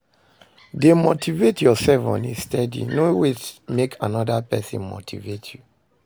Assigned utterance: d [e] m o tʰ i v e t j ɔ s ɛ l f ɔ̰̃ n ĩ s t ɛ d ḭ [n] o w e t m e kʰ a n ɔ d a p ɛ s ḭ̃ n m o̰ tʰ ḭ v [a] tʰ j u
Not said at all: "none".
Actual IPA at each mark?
e, n, e

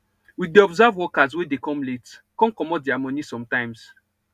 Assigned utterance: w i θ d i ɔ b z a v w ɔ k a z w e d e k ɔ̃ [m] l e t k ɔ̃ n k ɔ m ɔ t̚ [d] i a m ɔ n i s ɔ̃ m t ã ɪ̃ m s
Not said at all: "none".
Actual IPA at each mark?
m, d

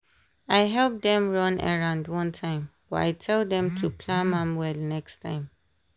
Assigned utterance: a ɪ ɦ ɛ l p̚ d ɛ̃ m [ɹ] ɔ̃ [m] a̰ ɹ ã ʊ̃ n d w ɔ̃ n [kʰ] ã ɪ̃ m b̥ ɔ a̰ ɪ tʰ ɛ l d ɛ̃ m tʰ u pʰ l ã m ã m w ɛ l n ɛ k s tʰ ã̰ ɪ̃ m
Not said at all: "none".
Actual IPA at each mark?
ɹ, n, tʰ

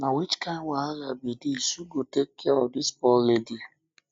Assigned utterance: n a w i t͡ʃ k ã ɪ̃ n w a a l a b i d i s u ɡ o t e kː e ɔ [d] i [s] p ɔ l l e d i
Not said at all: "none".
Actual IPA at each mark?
d, s

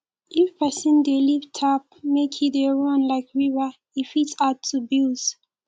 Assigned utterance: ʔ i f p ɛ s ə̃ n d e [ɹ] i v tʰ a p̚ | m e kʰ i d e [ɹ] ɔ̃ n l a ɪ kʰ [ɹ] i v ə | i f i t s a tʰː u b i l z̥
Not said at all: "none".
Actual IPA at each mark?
l, ɹ, ɹ

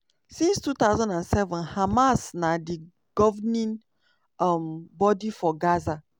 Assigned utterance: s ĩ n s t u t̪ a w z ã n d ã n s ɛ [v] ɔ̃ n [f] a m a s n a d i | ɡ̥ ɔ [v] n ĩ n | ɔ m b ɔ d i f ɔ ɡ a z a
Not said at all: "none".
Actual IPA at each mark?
v, h, v

